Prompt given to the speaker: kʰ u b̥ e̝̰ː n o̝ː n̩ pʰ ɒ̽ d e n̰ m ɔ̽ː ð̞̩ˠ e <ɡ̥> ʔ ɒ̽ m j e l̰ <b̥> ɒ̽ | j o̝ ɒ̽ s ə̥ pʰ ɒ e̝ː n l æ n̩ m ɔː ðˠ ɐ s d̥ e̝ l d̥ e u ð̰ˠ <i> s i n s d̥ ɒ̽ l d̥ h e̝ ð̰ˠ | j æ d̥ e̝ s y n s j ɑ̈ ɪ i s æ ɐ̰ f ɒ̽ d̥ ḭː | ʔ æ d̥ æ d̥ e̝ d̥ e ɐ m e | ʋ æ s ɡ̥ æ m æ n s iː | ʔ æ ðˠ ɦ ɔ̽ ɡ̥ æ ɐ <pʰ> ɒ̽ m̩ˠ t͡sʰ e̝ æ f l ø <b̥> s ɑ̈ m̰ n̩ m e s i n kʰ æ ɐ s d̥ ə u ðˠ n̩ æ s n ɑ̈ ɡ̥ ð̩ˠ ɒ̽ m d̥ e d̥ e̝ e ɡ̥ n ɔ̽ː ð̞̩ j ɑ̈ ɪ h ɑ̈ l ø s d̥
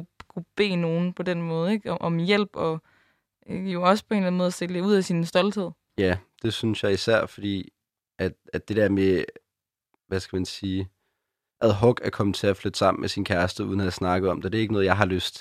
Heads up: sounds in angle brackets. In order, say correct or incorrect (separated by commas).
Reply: correct, correct, incorrect, incorrect, incorrect